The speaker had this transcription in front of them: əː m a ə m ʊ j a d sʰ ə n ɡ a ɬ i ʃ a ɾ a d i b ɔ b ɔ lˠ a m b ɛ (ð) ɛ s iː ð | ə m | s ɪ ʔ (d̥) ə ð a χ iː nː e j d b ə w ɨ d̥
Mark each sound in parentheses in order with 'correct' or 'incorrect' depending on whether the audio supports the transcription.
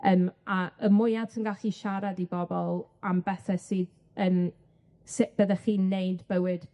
incorrect: θ, incorrect: b̥

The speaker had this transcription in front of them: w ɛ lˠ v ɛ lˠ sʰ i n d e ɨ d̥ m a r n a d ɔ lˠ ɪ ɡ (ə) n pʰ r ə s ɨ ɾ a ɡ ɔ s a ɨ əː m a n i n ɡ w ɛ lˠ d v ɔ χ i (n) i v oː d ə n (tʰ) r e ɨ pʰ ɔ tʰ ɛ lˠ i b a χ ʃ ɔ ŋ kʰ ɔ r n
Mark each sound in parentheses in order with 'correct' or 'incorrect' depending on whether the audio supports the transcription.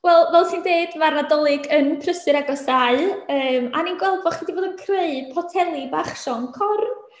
correct, incorrect: d, incorrect: kʰ

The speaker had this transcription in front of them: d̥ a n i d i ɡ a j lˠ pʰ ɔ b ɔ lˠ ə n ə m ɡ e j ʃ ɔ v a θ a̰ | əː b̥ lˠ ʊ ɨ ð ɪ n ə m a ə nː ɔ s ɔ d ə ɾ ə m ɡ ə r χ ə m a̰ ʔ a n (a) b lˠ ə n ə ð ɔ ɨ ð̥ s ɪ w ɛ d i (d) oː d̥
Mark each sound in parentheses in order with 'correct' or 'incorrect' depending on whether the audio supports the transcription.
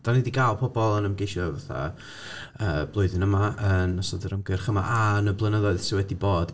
incorrect: ə, incorrect: b

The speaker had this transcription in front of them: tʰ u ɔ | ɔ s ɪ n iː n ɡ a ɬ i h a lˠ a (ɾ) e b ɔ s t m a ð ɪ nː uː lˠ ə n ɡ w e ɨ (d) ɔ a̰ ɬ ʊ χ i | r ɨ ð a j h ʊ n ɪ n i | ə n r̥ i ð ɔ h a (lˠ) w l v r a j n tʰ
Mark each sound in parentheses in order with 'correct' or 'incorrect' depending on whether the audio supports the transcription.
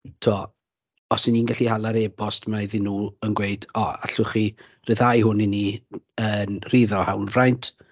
correct, correct, incorrect: none

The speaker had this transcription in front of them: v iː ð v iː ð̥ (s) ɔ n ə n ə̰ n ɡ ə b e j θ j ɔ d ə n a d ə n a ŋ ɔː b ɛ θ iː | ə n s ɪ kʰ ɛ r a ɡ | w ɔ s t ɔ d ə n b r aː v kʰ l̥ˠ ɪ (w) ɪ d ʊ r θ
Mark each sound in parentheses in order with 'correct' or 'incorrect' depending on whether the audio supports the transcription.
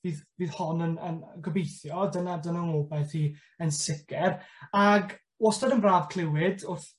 incorrect: h, correct

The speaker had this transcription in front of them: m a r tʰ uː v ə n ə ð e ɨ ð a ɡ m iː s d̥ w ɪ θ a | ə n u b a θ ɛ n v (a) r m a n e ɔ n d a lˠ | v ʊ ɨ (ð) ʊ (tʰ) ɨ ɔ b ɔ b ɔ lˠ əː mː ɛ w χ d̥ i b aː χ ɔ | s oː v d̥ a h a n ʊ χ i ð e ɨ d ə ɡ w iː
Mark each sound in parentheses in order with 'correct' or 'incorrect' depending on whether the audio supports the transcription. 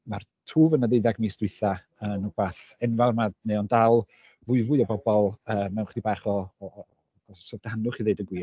correct, incorrect: v, incorrect: none

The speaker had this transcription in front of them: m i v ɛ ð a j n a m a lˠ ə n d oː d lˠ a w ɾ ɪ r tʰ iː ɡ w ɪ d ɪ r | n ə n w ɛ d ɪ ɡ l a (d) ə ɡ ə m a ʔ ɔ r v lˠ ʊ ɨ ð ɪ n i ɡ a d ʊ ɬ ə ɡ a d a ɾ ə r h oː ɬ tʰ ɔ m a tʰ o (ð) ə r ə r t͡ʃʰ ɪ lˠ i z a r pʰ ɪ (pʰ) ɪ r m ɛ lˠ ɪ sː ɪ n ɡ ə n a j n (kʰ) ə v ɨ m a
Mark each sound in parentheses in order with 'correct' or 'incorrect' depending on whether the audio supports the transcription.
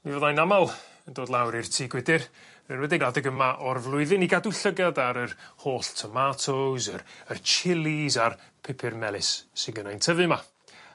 correct, incorrect: z, correct, incorrect: tʰ

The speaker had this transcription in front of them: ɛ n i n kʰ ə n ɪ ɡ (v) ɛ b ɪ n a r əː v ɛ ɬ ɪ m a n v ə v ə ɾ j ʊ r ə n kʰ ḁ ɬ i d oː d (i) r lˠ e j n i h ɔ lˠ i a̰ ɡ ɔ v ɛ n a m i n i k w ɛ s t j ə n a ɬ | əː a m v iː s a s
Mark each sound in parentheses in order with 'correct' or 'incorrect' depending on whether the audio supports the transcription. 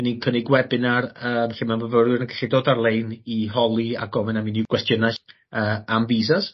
incorrect: w, incorrect: a

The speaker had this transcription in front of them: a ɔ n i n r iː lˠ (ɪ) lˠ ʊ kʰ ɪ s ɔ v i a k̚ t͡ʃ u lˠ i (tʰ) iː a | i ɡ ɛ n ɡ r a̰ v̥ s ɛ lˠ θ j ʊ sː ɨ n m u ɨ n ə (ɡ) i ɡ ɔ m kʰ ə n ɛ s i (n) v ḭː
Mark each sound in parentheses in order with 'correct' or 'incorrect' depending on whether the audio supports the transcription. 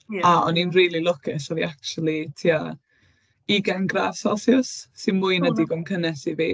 incorrect: i, correct, incorrect: d, incorrect: none

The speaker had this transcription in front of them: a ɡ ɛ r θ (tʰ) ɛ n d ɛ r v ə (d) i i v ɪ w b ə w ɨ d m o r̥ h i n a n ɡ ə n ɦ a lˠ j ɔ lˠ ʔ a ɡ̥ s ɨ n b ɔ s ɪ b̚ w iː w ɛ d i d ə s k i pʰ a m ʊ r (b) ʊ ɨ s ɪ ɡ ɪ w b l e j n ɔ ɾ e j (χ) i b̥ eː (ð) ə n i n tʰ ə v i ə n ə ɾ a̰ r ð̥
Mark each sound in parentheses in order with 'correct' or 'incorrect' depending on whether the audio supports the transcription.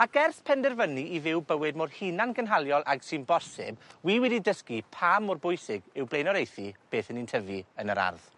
incorrect: pʰ, incorrect: n, correct, incorrect: θ, incorrect: θ

